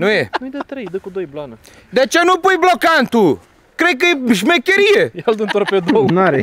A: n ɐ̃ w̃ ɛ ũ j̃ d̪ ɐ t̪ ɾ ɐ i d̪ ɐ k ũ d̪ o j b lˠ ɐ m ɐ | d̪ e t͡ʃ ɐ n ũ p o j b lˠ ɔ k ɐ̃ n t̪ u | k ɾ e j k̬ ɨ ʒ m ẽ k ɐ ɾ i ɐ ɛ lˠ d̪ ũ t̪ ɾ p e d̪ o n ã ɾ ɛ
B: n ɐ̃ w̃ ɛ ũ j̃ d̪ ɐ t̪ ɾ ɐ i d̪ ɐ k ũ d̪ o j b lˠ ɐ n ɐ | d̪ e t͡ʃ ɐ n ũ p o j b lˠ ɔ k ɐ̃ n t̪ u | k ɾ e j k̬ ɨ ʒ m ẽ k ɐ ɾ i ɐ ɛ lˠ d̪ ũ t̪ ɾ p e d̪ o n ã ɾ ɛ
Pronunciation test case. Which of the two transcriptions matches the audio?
B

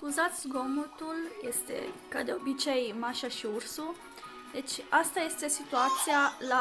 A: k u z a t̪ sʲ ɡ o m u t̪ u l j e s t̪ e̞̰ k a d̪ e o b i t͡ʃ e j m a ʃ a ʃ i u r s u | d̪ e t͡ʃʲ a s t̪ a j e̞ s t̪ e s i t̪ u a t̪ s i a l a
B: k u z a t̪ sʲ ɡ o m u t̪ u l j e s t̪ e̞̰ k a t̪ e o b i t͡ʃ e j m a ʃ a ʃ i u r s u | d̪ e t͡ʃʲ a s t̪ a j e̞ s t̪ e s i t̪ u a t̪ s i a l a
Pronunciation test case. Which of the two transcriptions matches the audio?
A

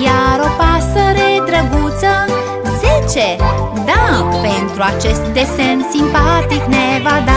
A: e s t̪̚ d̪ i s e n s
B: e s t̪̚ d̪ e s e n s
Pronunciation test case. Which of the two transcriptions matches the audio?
B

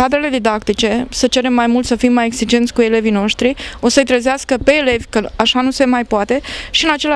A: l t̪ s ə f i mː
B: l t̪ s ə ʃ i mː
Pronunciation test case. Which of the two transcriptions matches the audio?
A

